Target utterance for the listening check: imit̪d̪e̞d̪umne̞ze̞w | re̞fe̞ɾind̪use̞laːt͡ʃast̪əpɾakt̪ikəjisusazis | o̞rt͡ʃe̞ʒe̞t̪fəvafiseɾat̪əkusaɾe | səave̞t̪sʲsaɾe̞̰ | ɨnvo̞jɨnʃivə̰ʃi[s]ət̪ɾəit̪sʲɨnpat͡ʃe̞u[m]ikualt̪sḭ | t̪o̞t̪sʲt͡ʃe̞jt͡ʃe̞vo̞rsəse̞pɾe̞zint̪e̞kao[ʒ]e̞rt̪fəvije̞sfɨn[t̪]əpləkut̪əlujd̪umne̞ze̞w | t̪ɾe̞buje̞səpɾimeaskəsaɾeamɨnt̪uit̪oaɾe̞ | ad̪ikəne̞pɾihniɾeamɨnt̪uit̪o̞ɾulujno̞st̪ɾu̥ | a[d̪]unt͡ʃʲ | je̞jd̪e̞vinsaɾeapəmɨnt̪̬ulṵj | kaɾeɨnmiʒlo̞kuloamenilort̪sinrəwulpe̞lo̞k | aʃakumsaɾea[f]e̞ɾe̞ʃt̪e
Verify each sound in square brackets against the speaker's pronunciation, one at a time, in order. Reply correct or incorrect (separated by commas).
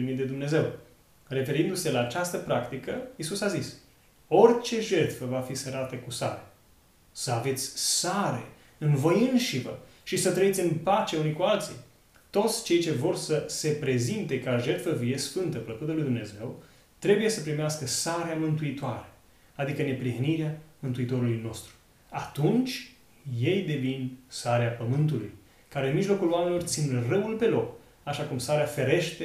correct, incorrect, correct, correct, incorrect, correct